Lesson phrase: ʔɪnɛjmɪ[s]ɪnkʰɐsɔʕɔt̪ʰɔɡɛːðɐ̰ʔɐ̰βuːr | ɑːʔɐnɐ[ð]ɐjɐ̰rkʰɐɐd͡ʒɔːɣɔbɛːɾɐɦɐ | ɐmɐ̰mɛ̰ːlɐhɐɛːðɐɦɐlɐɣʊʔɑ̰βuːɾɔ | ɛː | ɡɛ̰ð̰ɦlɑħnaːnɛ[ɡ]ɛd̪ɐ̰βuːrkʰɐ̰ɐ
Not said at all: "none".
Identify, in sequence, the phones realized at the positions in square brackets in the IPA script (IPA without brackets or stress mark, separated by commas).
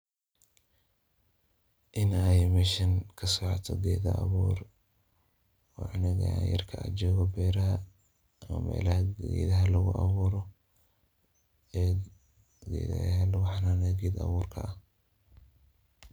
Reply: ʃ, ɣ, ɡ